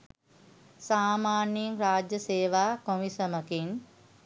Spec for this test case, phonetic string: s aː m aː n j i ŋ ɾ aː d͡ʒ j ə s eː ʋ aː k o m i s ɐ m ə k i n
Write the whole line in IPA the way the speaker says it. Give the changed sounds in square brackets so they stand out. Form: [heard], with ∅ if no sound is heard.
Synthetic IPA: s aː m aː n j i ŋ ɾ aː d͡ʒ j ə s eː ʋ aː k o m i s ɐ m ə k i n

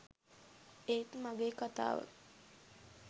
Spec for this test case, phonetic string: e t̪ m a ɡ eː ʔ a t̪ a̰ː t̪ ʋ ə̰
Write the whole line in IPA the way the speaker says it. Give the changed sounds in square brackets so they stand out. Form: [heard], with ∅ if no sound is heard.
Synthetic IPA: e t̪ m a ɡ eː [k] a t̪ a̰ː [∅] ʋ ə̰

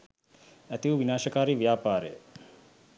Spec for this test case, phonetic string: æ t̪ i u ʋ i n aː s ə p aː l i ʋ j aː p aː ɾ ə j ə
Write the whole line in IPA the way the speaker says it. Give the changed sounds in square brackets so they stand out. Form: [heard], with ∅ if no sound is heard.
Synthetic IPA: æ t̪ i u ʋ i n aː [ʃ] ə [k] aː [ɾ] i ʋ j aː p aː ɾ ə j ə

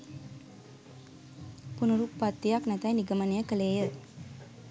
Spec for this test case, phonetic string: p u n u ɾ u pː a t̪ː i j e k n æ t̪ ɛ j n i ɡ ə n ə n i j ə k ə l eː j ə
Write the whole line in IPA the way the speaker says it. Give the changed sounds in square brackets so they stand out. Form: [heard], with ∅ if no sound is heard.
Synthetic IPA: p u n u ɾ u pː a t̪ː i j [a] k n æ t̪ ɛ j n i ɡ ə [m] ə n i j ə k ə l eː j ə

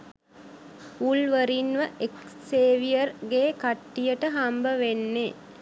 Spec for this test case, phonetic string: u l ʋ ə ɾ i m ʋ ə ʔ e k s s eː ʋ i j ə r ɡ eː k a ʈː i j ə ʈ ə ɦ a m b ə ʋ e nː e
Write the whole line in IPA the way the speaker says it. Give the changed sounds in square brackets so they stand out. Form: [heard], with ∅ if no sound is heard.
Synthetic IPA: u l ʋ ə ɾ i [n] ʋ ə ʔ e k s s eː ʋ i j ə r ɡ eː k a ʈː i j ə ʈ ə ɦ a m b ə ʋ e nː e

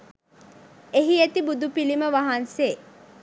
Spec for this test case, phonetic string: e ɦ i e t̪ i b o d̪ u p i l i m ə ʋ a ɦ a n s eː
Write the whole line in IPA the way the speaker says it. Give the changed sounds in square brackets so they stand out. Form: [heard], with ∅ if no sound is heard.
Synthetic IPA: e ɦ i e t̪ i b [u] d̪ u p i l i m ə ʋ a ɦ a n s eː

